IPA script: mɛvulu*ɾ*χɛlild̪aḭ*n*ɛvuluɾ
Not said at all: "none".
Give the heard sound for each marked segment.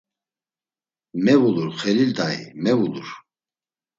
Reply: ɾ, m

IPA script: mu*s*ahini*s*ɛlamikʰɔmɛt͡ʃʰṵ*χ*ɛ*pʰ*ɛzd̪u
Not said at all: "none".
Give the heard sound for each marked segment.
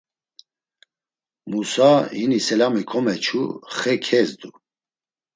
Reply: s, s, χ, kʰ

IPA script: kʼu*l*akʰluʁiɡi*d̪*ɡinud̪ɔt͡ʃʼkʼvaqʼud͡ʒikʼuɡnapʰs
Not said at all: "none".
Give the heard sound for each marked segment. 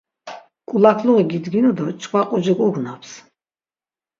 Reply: l, d̪

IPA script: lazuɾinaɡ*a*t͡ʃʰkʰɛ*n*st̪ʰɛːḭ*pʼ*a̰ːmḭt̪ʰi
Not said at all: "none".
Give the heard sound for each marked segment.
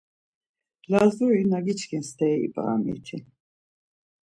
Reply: i, n, pʼ

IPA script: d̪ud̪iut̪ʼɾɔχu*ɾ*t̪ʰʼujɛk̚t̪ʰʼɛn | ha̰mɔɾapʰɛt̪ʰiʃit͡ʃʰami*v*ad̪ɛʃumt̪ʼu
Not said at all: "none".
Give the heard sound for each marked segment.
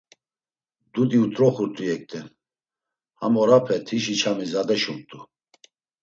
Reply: ɾ, z

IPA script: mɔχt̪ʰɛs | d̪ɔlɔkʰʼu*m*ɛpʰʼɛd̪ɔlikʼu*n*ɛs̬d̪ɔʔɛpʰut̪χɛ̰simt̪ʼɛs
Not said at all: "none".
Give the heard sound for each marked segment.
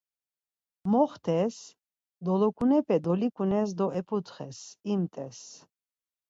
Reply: n, n

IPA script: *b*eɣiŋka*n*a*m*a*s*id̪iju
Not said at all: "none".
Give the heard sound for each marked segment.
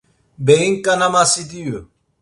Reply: b, n, m, s

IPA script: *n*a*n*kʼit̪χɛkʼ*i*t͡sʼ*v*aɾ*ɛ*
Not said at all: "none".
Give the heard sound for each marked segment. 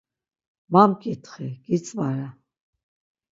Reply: m, m, i, v, a

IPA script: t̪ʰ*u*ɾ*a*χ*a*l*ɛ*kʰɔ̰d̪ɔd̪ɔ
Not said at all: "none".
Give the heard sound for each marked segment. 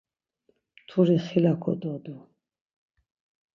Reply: u, i, i, a

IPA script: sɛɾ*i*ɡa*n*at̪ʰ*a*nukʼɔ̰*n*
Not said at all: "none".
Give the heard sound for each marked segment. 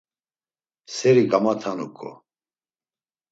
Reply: i, m, a, none

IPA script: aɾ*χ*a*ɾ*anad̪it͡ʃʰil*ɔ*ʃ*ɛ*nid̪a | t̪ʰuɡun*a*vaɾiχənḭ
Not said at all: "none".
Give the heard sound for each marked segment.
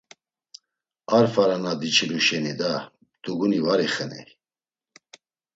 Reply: f, ɾ, u, ɛ, i

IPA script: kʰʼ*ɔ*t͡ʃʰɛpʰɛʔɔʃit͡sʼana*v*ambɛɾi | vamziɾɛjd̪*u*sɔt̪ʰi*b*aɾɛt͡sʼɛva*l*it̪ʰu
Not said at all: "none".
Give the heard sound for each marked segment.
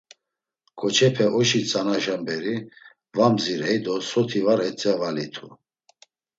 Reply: ɔ, ʒ, ɔ, v, l

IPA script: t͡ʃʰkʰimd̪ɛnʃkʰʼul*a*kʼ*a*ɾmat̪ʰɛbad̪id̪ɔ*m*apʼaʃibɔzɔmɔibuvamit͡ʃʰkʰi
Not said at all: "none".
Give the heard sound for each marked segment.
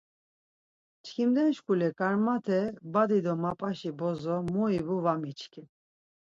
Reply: ɛ, a, m

